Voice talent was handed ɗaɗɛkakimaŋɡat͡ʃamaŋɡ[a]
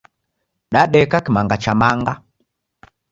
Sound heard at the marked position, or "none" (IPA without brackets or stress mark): a